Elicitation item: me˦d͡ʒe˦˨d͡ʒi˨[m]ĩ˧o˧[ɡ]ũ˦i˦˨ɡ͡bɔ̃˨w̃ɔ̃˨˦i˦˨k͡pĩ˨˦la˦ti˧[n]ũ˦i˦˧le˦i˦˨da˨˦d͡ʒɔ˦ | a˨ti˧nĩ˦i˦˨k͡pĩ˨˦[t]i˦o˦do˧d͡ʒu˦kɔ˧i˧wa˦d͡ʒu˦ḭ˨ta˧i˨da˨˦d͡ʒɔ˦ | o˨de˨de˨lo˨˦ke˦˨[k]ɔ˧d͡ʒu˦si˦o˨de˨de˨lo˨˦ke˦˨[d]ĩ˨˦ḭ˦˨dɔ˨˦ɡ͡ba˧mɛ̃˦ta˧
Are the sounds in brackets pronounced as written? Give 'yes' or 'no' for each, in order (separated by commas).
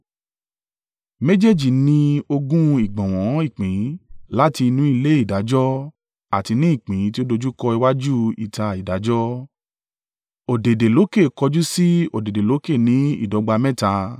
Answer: no, yes, yes, yes, yes, no